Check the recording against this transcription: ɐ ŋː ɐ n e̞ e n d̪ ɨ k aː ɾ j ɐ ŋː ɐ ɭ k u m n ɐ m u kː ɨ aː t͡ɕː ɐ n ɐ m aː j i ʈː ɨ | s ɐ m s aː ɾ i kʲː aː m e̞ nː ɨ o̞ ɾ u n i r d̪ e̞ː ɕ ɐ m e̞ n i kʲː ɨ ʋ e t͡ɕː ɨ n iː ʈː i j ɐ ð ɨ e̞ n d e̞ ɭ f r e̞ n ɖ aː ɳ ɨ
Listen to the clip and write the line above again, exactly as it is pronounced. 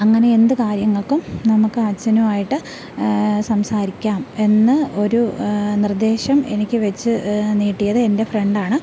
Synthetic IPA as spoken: ɐ ŋː ɐ n e̞ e n d̪ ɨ k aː ɾ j ɐ ŋː ɐ ɭ k u m n ɐ m u kː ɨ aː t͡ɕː ɐ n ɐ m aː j i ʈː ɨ | s ɐ m s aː ɾ i kʲː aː m e̞ nː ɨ o̞ ɾ u n i r d̪ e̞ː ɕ ɐ m e̞ n i kʲː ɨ ʋ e t͡ɕː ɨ n iː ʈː i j ɐ ð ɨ e̞ n d e̞ f r e̞ ɳ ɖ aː ɳ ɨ